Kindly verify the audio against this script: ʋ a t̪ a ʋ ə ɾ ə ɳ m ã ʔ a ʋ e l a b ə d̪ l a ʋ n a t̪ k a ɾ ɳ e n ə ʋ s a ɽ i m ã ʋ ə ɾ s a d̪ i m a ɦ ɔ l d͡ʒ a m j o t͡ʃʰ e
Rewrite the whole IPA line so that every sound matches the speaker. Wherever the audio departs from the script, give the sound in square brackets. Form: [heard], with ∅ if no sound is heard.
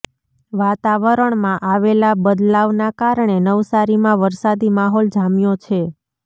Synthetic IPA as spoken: ʋ a t̪ a ʋ ə ɾ ə ɳ m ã ʔ a ʋ e l a b ə d̪ l a ʋ n a [∅] k a ɾ ɳ e n ə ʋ s a [ɾ] i m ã ʋ ə ɾ s a d̪ i m a ɦ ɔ l d͡ʒ a m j o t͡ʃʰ e